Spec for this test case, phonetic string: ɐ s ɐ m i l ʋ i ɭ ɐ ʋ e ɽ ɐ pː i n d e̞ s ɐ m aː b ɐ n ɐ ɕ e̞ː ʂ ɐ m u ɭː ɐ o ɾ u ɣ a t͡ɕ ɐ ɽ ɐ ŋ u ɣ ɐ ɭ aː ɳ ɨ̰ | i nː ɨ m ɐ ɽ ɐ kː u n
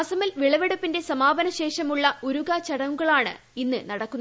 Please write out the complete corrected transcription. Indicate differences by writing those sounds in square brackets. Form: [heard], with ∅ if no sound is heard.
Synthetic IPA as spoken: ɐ s ɐ m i l ʋ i ɭ ɐ ʋ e ɽ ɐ pː i n d e̞ s ɐ m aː b ɐ n ɐ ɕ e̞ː ʂ ɐ m u ɭː ɐ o ɾ u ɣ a t͡ɕ ɐ ɽ ɐ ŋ u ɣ ɐ ɭ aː ɳ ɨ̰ | i nː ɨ [n] ɐ ɽ ɐ kː u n